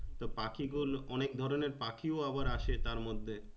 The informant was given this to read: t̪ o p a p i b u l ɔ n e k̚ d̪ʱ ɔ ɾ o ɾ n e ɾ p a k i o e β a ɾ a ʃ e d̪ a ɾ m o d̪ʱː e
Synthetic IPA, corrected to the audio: t̪ o p a k i ɡ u l ɔ n e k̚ d̪ʱ ɔ ɾ o n e ɾ p a k i o a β a ɾ a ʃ e t̪ a ɾ m o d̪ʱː e